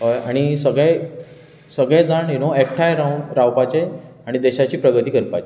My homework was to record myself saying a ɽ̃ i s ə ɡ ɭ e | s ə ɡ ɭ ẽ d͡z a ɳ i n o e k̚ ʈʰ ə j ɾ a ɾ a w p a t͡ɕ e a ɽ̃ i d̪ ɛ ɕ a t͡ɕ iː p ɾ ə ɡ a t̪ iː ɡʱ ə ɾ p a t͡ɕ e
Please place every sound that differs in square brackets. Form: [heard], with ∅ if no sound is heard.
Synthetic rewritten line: a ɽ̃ i s ə ɡ ɭ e | s ə ɡ ɭ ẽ d͡z a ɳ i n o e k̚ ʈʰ [a] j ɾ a ɾ a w p a t͡ɕ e a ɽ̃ i d̪ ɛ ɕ a t͡ɕ iː p ɾ ə ɡ [ə] t̪ iː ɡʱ ə ɾ p a t͡ɕ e